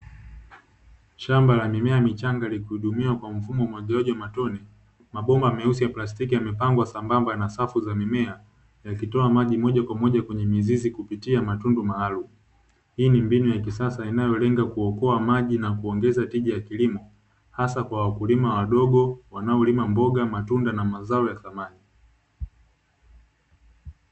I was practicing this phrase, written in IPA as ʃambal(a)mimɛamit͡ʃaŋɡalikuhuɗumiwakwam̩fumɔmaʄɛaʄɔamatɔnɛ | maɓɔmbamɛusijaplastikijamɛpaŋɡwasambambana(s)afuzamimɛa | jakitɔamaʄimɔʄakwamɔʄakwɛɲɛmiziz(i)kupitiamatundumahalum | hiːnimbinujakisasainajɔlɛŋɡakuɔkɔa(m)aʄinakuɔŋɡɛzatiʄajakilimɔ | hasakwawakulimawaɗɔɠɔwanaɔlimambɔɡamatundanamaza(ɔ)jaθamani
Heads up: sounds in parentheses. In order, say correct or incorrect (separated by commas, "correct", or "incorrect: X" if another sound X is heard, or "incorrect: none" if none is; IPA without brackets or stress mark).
correct, correct, correct, correct, correct